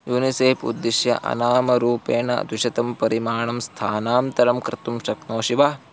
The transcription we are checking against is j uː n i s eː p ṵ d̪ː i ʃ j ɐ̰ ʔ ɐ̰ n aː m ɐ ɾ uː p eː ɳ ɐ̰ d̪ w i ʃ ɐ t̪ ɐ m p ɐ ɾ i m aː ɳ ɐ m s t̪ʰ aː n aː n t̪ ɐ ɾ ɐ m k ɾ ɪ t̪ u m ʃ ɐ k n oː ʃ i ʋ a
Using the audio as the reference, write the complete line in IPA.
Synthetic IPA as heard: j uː n i s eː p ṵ d̪ː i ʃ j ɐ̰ ʔ ɐ̰ n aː m ɐ ɾ uː p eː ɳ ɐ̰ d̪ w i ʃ ɐ t̪ ɐ m p ɐ ɾ i m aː ɳ ɐ m s t̪ʰ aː n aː m t̪ ɐ ɾ ɐ m k ɾ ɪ t̪ u m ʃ ɐ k n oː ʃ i ʋ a